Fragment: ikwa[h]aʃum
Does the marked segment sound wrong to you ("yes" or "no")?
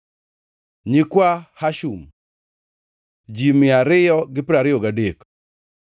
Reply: no